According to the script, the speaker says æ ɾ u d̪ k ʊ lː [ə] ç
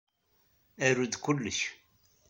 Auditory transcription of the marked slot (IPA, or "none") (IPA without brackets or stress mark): ə